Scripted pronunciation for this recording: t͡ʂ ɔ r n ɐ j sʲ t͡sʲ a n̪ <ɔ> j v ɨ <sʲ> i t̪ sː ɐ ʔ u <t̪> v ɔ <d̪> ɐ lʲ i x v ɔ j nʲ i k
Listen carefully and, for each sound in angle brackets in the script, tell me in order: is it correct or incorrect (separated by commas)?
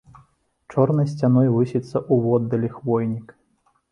correct, correct, incorrect, incorrect